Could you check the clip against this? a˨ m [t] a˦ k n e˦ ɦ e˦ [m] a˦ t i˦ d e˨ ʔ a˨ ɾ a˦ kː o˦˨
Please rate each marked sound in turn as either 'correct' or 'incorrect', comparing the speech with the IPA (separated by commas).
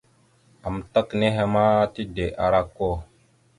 correct, correct